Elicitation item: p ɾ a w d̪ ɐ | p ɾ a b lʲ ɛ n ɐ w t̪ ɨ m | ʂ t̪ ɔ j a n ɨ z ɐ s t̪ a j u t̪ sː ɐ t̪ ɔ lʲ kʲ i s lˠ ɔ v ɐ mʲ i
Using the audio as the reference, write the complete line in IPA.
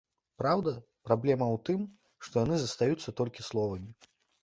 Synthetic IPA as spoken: p ɾ a w d̪ ɐ | p ɾ a b lʲ ɛ m ɐ w t̪ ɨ m | ʂ t̪ ɔ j a n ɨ z ɐ s t̪ a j u t̪ sː ɐ t̪ ɔ lʲ kʲ i s lˠ ɔ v ɐ mʲ i